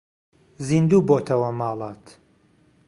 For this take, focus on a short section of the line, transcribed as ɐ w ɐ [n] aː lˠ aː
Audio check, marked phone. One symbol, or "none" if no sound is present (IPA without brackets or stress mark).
m